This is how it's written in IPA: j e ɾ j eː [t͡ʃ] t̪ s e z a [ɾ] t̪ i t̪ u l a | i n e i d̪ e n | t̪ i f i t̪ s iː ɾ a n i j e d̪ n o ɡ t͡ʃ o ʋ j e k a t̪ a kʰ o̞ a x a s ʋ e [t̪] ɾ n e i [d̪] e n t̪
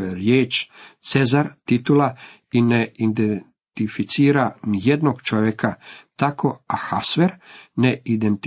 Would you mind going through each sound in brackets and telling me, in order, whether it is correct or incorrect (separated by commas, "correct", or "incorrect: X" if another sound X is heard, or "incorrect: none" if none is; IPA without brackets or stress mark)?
correct, correct, incorrect: none, correct